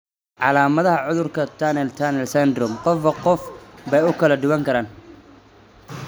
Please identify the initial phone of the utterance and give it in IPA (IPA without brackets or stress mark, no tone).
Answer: ʕ